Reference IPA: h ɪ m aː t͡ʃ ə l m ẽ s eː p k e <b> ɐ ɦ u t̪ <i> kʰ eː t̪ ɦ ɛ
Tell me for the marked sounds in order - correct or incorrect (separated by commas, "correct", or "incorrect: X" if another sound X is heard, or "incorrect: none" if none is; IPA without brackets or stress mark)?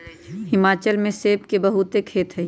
correct, incorrect: e